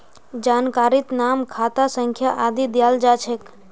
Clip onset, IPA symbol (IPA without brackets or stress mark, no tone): d͡ʒ